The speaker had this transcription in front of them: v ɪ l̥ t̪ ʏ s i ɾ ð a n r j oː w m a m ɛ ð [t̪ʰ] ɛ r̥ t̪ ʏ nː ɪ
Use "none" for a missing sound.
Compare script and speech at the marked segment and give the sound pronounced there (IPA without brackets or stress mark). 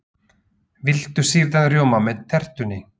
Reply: t̪ʰ